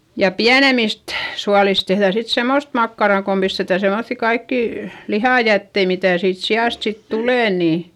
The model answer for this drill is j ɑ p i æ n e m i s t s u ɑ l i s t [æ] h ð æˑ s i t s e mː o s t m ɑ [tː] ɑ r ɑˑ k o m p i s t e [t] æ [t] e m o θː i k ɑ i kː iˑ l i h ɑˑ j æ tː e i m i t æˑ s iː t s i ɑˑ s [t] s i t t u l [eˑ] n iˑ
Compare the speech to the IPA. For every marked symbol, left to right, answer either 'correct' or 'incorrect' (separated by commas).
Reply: incorrect, incorrect, correct, incorrect, correct, correct